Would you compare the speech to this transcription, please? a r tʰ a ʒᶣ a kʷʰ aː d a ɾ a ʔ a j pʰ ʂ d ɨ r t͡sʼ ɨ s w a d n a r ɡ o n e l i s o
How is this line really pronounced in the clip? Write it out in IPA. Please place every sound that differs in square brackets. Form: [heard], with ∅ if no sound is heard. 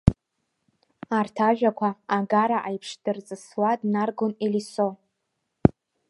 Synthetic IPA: a r tʰ a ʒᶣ a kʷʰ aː [ɡ] a ɾ a ʔ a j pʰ ʂ d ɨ r t͡sʼ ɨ s w a d n a r ɡ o n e l i s o